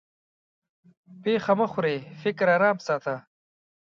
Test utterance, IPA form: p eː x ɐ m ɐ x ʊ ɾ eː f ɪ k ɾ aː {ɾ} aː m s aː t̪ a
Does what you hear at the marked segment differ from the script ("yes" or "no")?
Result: no